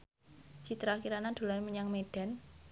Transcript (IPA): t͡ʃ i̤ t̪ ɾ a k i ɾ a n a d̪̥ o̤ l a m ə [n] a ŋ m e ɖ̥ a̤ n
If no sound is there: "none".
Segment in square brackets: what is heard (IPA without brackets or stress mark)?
ɲ